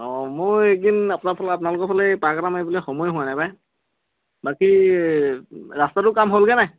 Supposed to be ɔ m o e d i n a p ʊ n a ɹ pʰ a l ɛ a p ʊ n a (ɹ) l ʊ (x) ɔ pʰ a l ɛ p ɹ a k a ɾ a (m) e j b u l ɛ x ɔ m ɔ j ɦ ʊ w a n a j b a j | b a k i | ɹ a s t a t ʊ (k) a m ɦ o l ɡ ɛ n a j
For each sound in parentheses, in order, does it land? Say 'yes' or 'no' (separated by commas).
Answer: no, no, yes, yes